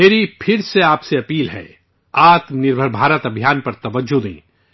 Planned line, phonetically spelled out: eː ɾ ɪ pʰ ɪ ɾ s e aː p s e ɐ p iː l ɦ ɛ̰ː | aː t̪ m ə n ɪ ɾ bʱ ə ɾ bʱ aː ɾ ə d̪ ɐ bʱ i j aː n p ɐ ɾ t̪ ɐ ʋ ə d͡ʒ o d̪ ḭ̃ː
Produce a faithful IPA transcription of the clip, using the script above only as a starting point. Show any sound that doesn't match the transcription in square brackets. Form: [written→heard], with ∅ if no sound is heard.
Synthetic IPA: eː ɾ [ɪ→i] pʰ ɪ ɾ s e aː p s e ɐ p iː l ɦ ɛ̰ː | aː t̪ m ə n ɪ ɾ bʱ ə ɾ bʱ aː ɾ ə [d̪→t̪] ɐ bʱ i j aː n p ɐ ɾ t̪ ɐ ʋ ə d͡ʒ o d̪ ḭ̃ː